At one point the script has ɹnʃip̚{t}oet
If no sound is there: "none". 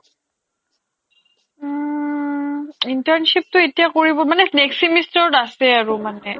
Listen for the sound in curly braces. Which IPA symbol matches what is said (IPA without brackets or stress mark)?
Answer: t